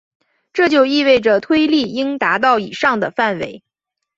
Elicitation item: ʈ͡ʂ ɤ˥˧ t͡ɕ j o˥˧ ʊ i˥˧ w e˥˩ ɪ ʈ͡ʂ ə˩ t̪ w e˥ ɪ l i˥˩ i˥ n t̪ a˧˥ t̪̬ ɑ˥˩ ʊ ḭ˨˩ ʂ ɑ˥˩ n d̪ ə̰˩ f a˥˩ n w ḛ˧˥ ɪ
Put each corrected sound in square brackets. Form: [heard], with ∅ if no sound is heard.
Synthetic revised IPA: ʈ͡ʂ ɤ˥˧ t͡ɕ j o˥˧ ʊ i˥˧ w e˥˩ ɪ ʈ͡ʂ ə˩ [t̪ʰ] w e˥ ɪ l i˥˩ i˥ [ŋ] t̪ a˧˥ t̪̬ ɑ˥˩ ʊ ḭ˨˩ ʂ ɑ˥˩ [ŋ] d̪ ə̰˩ f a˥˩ n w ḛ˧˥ ɪ